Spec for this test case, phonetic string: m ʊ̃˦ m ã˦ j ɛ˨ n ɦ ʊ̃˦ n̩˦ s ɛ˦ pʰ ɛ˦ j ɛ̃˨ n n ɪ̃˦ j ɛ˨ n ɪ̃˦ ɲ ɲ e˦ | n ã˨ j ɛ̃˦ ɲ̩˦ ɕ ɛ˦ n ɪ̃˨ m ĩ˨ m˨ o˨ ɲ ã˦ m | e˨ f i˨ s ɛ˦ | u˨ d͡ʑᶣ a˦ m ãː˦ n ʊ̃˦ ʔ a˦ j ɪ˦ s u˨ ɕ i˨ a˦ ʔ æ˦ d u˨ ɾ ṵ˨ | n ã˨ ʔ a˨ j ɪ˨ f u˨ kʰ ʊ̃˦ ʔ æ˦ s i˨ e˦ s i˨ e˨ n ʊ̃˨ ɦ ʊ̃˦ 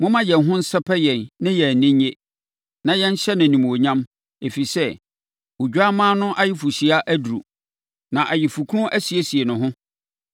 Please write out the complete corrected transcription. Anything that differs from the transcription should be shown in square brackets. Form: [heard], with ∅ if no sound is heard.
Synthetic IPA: m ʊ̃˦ m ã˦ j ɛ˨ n ɦ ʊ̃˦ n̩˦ s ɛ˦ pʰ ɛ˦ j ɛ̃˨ n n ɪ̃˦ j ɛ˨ n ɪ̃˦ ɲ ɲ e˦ | n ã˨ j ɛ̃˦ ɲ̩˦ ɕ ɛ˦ n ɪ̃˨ [n] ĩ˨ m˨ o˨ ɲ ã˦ m | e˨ f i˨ s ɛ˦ | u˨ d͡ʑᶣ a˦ m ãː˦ n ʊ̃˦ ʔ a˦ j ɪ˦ [f] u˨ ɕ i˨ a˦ ʔ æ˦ d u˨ ɾ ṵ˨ | n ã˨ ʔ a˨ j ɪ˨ f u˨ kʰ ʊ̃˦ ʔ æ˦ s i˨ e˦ s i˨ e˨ n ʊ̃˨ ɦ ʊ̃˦